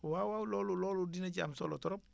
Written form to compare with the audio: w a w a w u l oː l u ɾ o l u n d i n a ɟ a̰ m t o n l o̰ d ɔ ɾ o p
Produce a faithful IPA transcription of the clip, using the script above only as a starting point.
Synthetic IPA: w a w a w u l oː l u l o l u d i n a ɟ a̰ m s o l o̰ t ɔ ɾ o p

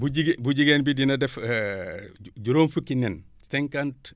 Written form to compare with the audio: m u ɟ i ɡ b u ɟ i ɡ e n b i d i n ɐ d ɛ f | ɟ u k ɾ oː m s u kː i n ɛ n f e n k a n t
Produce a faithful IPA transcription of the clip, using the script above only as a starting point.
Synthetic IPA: b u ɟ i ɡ b u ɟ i ɡ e n b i d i n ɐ d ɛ f | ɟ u ɾ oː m f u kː i n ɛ n s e ŋ k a n t

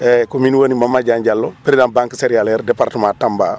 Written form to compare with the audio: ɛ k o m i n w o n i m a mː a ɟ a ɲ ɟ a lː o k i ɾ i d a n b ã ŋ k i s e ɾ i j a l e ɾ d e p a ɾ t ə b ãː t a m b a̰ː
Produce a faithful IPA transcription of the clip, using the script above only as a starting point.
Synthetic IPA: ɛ k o m i n w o n i m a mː a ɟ a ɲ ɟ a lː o p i ɾ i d a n b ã ŋ k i s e ɾ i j a l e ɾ d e p a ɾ t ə m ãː t a m b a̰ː

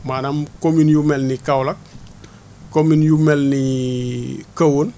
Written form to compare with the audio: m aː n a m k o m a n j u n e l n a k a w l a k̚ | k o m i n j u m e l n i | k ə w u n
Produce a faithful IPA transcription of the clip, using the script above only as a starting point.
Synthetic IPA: m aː n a m k o m i n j u m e l n i k a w l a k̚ | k o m i n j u m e l n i | k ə w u n

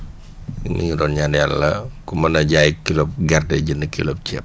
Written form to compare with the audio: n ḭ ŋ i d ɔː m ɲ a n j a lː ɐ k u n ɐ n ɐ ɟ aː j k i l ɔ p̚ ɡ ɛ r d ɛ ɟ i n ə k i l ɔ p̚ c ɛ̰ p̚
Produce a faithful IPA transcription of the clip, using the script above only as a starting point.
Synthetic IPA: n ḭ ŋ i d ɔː n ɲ a n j a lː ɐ k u m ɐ n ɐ ɟ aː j k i l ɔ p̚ ɡ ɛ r d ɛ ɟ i n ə k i l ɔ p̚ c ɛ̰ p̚

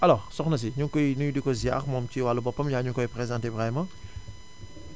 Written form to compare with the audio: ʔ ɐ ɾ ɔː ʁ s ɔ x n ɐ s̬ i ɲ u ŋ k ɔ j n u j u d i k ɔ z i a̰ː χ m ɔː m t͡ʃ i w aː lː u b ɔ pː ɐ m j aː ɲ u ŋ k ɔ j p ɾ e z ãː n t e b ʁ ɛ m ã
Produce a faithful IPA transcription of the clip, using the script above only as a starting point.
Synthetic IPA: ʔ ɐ l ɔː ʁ s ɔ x n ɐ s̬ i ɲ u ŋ k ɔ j n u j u d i k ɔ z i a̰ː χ m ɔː m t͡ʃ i w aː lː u b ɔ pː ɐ m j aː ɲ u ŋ k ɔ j p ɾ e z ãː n t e b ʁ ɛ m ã

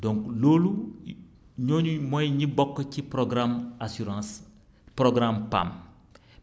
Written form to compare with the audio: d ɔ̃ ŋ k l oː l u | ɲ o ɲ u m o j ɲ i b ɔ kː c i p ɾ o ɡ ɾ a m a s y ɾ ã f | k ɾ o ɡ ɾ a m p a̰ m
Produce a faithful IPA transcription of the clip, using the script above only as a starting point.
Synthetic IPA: d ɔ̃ ŋ k l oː l u | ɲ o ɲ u m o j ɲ i b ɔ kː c i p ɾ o ɡ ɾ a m a s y ɾ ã s | p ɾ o ɡ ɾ a m p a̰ m

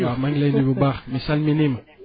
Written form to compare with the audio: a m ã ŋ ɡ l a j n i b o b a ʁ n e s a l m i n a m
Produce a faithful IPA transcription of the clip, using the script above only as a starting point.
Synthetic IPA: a m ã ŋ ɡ l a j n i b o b a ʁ m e s a l m i n i m

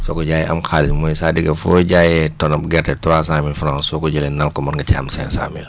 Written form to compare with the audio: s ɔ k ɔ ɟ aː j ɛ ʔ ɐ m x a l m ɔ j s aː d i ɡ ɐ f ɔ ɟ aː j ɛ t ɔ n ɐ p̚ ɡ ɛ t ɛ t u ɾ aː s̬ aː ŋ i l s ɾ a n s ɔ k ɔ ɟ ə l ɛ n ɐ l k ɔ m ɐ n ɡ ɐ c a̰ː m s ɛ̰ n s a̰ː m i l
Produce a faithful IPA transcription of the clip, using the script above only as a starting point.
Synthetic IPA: s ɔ k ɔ ɟ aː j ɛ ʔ ɐ m x a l m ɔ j s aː d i ɡ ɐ f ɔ ɟ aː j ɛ t ɔ n ɐ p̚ ɡ ɛ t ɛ t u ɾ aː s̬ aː m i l f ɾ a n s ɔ k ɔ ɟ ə l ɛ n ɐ l k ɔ m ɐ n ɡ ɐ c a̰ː m s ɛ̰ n s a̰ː m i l

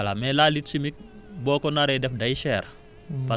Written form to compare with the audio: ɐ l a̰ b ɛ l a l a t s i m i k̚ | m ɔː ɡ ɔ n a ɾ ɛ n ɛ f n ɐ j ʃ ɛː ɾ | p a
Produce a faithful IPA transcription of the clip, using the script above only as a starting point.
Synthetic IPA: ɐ l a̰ m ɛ l a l i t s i m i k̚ | b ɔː k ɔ n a ɾ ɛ d ɛ f d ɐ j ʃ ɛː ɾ | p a

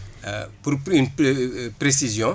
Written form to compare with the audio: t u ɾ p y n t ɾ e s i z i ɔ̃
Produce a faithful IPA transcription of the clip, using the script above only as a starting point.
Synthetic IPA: p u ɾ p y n p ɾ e s i z j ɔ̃

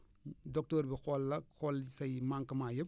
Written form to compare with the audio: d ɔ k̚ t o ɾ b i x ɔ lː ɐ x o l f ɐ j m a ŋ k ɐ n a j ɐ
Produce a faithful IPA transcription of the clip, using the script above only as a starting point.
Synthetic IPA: d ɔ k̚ t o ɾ b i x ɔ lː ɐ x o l s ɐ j m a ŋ k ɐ m a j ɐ

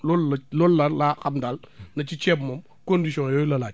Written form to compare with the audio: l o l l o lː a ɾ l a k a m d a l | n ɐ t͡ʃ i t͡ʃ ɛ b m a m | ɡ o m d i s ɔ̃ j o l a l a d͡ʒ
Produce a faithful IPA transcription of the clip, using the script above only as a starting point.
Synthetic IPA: l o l l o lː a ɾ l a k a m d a l | n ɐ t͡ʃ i t͡ʃ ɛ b m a m | k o n d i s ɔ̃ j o l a l a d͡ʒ

